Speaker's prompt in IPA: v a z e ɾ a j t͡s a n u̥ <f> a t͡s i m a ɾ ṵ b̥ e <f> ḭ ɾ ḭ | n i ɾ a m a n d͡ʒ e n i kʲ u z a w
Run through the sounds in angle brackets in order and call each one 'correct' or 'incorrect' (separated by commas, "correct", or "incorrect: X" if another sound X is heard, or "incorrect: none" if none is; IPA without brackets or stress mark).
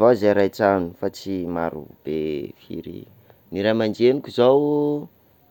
correct, correct